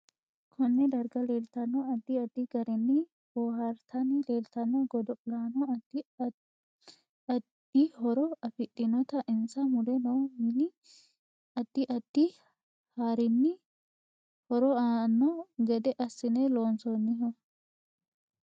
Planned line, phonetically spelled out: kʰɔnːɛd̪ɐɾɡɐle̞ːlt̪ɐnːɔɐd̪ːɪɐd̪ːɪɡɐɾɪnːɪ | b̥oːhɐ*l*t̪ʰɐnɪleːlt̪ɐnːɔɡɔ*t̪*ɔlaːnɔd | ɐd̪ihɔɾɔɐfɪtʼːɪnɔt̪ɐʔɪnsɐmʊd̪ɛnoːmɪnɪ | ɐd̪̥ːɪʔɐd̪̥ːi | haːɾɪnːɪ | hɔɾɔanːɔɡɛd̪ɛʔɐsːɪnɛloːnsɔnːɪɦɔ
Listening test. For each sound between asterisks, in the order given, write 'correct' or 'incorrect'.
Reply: incorrect, incorrect

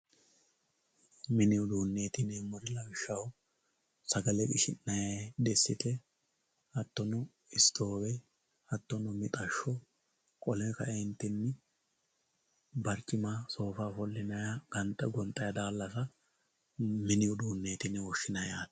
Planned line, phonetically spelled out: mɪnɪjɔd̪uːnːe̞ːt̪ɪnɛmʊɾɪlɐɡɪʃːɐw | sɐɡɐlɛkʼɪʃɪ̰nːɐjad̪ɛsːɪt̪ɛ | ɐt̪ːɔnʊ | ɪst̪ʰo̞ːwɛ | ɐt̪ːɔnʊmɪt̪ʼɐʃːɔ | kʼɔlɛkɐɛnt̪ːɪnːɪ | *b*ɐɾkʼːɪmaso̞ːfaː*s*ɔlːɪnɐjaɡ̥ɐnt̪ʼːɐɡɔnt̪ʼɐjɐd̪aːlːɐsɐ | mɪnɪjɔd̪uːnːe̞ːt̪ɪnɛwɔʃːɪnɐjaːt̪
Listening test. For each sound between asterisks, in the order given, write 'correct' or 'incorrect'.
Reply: correct, incorrect

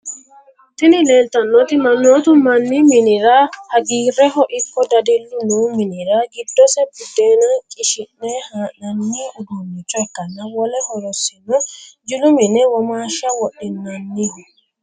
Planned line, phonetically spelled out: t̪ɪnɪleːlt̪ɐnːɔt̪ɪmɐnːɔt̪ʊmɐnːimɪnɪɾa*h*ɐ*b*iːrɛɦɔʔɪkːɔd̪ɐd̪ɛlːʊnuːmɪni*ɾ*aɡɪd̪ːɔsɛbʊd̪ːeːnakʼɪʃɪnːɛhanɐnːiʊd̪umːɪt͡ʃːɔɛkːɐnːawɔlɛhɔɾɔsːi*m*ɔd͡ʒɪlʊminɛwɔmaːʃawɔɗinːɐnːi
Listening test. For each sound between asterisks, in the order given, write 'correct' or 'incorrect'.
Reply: correct, incorrect, correct, incorrect

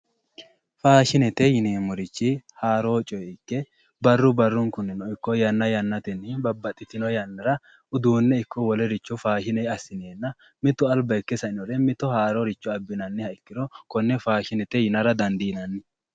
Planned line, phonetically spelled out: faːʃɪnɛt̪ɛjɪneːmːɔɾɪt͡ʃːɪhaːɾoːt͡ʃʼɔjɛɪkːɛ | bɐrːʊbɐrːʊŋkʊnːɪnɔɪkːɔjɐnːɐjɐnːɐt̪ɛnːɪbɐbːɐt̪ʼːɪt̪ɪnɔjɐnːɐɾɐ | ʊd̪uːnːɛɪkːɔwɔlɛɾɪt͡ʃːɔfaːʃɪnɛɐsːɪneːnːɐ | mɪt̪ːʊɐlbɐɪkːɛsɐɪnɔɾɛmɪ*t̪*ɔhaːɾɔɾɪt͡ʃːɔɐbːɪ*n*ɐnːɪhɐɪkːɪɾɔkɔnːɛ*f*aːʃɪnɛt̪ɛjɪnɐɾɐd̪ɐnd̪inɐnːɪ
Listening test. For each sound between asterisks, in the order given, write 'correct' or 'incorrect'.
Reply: correct, correct, correct

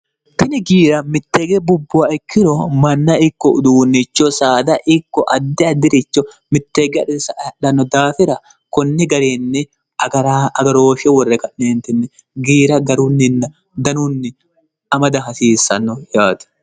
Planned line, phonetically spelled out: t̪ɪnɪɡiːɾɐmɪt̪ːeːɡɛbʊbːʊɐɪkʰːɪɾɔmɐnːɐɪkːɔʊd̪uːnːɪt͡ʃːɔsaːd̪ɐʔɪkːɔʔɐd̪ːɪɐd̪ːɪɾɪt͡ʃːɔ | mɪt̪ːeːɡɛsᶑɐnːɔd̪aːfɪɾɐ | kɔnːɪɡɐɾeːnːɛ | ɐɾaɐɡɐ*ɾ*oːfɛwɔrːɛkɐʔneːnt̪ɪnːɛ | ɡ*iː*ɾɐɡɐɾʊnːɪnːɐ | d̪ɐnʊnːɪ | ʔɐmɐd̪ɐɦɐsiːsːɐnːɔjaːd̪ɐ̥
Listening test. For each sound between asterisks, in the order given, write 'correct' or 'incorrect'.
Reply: correct, correct

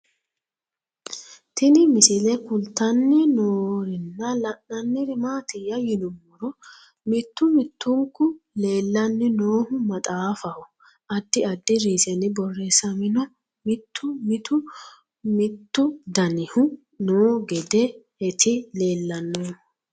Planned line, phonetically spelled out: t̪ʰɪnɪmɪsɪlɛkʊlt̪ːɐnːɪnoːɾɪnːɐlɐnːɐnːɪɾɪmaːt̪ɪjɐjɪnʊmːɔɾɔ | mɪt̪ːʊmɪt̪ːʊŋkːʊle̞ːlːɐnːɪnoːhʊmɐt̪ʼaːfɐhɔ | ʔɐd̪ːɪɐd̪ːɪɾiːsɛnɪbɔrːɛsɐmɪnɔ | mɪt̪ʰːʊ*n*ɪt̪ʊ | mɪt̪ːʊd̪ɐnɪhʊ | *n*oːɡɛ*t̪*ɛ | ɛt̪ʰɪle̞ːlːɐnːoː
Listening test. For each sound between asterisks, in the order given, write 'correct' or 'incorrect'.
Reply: incorrect, correct, incorrect

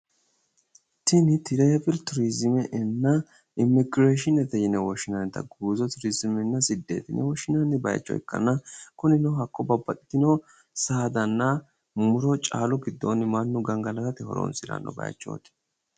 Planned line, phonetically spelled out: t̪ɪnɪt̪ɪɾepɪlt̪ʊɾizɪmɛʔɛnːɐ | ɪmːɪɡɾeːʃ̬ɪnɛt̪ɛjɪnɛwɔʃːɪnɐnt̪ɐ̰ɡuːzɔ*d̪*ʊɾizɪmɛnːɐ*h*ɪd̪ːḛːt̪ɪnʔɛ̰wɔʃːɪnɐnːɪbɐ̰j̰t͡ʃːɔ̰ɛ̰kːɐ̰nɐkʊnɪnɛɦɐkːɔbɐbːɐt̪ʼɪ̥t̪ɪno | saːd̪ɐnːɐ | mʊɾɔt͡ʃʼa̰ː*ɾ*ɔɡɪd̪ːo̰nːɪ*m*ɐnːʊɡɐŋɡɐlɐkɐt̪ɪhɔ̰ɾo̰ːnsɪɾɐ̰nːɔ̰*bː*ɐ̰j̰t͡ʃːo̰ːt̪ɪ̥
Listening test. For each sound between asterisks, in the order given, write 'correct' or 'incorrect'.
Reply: incorrect, incorrect, incorrect, correct, incorrect

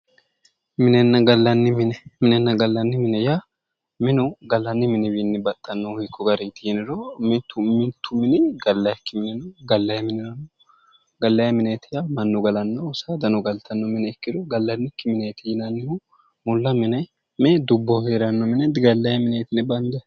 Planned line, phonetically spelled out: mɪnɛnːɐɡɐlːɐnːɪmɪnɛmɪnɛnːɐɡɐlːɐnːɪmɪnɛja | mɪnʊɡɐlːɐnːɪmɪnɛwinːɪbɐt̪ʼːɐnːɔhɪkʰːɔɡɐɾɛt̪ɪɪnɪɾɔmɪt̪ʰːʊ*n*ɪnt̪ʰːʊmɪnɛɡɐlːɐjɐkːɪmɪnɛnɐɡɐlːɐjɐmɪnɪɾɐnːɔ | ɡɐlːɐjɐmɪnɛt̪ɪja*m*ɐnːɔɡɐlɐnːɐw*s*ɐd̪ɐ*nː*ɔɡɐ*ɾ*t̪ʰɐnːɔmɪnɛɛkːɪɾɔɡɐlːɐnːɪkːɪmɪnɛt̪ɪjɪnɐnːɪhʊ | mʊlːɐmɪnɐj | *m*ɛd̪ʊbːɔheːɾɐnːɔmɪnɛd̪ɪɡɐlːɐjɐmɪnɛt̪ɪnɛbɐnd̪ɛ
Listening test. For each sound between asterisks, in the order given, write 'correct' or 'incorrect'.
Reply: incorrect, correct, correct, incorrect, incorrect, correct

